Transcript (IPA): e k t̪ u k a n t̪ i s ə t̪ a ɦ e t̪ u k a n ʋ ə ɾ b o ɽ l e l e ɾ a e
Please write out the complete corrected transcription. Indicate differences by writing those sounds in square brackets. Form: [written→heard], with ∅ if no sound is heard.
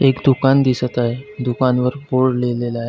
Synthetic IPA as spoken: e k [t̪→d̪] u k a n [t̪→d̪] i s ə t̪ a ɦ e [t̪→d̪] u k a n ʋ ə ɾ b o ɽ l e l e [ɾ→l] a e